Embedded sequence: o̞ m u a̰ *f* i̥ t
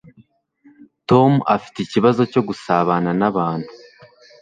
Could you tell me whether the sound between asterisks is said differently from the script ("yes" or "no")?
no